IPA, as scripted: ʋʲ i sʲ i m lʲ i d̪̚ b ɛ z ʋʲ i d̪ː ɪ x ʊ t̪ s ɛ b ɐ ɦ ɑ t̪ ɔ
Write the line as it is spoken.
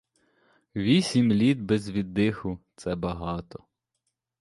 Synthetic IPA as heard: ʋʲ i sʲ i m lʲ i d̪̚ b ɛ z ʋʲ i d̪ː ɪ x ʊ t̪ s ɛ b ɐ ɦ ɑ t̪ ɔ